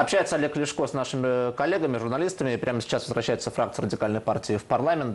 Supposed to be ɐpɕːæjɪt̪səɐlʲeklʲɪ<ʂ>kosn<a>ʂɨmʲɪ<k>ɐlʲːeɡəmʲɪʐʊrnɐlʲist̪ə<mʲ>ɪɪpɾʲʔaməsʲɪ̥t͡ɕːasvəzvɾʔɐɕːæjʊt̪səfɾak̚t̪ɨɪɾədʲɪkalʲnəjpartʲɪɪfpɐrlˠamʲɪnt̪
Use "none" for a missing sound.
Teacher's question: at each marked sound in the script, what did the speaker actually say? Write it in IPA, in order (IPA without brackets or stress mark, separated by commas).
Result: ʂ, a, k, mʲ